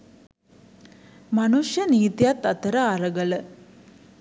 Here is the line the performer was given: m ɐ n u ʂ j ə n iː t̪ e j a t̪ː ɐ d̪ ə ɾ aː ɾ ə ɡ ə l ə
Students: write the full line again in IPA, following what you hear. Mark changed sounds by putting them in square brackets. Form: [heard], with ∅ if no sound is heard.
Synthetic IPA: m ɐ n u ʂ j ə n iː t̪ [i] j a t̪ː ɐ [t̪] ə ɾ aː ɾ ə ɡ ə l ə